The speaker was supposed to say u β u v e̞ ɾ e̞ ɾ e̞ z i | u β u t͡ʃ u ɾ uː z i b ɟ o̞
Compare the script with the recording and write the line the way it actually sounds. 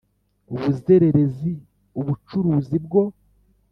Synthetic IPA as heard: u β u z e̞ ɾ e̞ ɾ e̞ z i | u β u t͡ʃ u ɾ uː z i b ɡ o̞

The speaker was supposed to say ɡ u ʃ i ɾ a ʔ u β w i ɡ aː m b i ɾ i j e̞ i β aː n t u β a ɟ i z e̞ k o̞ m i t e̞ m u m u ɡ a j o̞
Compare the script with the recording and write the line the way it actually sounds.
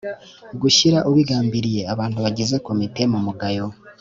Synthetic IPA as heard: ɡ u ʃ i ɾ a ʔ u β w i ɡ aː m b i ɾ i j e̞ a β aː n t u β a ɟ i z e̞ k o̞ m i t e̞ m u m u ɡ a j o̞

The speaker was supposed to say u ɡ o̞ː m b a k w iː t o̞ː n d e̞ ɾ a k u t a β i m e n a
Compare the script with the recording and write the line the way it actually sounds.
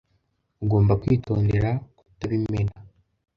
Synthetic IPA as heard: u ɡ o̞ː m b a k w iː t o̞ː n d e̞ ɾ a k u t a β i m e n a

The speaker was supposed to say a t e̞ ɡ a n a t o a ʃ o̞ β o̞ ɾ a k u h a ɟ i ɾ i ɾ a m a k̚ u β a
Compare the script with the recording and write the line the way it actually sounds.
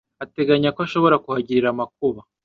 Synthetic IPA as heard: a t e̞ ɡ a ɲ a k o a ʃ o̞ β o̞ ɾ a k u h a ɟ i ɾ i ɾ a m a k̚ u β a

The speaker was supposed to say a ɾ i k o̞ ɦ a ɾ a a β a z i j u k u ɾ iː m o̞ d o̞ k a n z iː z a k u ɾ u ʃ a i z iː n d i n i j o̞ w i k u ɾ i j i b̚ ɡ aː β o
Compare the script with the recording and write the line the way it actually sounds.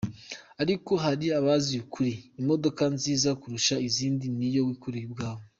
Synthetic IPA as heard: a ɾ i k o̞ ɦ a ɾ i a β a z i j u k u ɾ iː m o̞ d o̞ k a n z iː z a k u ɾ u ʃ a i z iː n d i n i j o̞ w i k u ɾ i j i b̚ ɡ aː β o

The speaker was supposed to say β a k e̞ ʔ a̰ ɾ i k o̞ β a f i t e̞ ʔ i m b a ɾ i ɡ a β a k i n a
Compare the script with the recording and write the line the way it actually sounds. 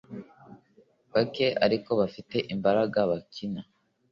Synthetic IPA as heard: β a k e̞ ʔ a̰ ɾ i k o̞ β a f i t e̞ ʔ i m b a ɾ a ɡ a β a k i n a

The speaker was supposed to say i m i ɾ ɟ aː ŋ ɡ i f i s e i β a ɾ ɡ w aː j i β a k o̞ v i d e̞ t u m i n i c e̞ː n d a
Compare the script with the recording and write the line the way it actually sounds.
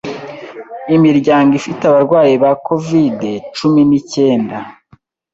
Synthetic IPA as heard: i m i ɾ ɟ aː ŋ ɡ i f i t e a β a ɾ ɡ w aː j i β a k o̞ v i d e̞ t͡ʃ u m i n i c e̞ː n d a

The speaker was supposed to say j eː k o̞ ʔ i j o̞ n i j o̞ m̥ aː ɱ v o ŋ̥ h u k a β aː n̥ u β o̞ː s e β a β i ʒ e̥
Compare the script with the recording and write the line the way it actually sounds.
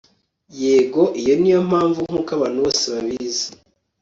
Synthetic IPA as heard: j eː ɡ o̞ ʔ i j o̞ n i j o̞ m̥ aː ɱ v u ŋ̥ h u k a β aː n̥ u β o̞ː s e β a β i z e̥

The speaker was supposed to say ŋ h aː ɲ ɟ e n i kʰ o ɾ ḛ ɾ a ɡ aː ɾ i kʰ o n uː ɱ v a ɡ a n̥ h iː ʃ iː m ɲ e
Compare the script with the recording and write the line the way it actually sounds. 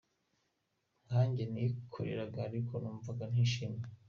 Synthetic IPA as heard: ŋ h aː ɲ ɟ e n i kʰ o ɾ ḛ ɾ a ɡ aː ɾ i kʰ o n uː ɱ v a ɡ a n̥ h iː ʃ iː m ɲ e

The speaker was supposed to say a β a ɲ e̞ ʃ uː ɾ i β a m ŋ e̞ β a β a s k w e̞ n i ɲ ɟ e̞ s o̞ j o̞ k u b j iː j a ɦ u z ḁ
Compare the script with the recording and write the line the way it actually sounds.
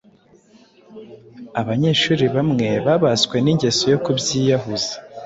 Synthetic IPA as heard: a β a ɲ e̞ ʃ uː ɾ i β a m ŋ e̞ β a β a s k w e̞ n i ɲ ɟ e̞ s o̞ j o̞ k u b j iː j a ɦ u z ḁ

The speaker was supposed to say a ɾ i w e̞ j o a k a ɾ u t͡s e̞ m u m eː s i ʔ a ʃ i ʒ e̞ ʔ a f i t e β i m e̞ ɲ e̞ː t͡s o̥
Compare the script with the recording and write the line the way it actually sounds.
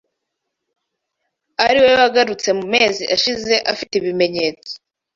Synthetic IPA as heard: a ɾ i w e̞ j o a ɡ a ɾ u t͡s e̞ m u m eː z i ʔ a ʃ i z e̞ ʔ a f i t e β i m e̞ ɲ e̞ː t͡s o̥

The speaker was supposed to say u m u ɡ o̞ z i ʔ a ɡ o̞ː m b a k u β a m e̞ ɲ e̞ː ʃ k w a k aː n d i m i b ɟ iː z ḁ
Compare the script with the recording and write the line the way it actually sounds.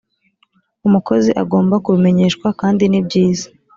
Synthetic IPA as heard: u m u k o̞ z i ʔ a ɡ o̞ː m b a k u β i m e̞ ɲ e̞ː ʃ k w a k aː n d i n i b ɟ iː z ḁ

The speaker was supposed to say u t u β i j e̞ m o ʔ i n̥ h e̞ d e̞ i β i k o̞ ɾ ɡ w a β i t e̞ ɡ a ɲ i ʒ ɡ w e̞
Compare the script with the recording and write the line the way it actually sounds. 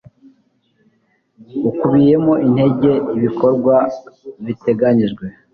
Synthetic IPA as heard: u k u β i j e̞ m o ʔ i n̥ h e̞ ɟ e̞ i β i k o̞ ɾ ɡ w a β i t e̞ ɡ a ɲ i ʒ ɡ w e̞

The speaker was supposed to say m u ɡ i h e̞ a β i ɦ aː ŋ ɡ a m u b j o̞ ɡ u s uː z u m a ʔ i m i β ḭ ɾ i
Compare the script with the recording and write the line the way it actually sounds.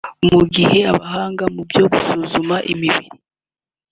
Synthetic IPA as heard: m u ɡ i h e̞ a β a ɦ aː ŋ ɡ a m u b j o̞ ɡ u s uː z u m a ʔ i m i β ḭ ɾ i

